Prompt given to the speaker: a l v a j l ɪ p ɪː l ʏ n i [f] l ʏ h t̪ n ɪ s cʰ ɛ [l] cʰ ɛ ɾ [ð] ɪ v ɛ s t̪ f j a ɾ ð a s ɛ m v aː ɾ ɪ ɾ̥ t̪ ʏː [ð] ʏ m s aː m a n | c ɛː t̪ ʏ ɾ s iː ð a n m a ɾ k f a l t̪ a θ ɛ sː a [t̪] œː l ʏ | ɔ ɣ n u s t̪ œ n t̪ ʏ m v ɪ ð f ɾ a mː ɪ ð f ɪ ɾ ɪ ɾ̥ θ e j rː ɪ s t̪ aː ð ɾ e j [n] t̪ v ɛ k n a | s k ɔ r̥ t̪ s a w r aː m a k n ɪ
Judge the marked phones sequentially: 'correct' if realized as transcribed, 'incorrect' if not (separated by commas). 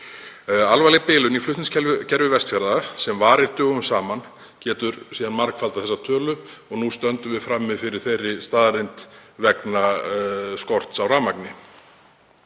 correct, correct, incorrect, incorrect, incorrect, correct